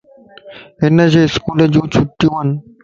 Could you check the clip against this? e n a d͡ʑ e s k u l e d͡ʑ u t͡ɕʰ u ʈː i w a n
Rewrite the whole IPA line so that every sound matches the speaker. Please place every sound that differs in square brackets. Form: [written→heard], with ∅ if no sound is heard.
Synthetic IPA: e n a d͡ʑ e s k u l e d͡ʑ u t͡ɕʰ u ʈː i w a n